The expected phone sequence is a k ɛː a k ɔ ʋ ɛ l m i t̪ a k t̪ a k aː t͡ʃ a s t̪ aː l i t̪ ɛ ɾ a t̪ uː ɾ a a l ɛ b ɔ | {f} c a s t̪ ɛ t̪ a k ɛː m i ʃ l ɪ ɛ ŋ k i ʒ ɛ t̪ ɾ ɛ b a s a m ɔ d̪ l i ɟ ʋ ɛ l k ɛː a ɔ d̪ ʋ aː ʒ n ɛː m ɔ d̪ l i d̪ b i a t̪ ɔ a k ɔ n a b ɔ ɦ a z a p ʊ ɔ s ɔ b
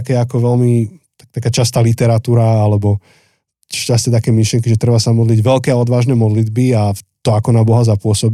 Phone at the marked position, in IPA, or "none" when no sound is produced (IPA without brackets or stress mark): ʃ